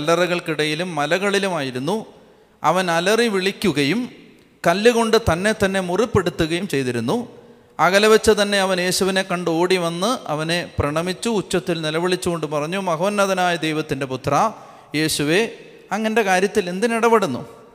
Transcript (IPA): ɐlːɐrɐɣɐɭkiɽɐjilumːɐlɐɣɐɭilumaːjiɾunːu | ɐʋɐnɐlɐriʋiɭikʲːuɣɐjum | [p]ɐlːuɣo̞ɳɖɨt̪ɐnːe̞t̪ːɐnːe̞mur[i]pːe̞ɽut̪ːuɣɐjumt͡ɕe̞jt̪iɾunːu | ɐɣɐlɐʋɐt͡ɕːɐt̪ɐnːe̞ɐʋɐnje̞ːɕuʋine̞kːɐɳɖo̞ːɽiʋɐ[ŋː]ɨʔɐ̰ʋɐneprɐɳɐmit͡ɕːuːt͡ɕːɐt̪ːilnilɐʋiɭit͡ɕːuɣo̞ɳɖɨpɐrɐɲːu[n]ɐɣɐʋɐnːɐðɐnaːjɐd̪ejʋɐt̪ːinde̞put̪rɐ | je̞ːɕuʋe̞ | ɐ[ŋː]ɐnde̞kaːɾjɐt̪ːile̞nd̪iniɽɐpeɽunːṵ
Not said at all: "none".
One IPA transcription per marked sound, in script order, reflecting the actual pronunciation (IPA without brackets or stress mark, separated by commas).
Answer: k, i, nː, m, ŋː